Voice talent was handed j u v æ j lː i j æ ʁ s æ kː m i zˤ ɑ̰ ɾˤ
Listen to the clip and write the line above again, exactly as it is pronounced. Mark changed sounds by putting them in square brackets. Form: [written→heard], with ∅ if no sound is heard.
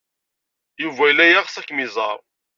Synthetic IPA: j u v æ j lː [i→æ] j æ ʁ s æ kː m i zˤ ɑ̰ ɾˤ